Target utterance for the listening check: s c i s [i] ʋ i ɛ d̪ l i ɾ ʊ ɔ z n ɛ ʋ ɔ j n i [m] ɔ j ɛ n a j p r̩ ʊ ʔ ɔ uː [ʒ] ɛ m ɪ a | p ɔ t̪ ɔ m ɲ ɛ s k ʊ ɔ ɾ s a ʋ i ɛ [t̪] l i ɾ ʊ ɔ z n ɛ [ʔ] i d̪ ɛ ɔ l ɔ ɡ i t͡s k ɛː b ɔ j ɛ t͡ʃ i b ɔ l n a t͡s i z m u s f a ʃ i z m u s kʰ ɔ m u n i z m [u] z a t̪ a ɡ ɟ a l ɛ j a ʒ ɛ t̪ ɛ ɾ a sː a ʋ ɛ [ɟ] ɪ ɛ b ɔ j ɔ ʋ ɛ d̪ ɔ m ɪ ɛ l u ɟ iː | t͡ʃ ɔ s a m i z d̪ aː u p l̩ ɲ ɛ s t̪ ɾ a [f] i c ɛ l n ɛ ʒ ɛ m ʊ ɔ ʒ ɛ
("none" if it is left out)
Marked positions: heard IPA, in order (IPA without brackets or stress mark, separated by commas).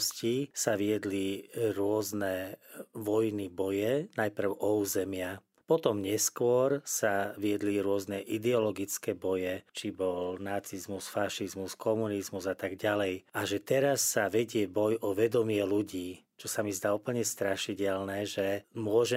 a, b, z, d̪, ʔ, u, ɟ, ʃ